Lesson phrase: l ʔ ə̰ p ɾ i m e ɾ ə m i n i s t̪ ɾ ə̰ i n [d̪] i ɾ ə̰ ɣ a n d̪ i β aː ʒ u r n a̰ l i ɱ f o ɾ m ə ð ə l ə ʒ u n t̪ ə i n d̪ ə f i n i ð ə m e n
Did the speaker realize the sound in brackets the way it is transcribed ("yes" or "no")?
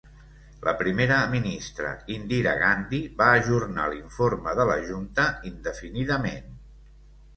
yes